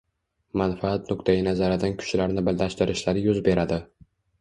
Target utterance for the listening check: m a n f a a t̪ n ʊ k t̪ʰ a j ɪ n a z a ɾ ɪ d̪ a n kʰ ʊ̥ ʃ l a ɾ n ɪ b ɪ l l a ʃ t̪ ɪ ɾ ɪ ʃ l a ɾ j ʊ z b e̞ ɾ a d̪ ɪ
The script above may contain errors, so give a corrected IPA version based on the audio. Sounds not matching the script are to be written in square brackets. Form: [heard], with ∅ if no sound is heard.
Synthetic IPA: m a n f a a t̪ n ʊ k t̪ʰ a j ɪ n a z a ɾ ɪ d̪ a n kʰ ʊ̥ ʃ l a ɾ n ɪ b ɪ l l a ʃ t̪ ɪ ɾ ɪ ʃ l a ɾ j ʊ z b e̞ ɾ a d̪ ɪ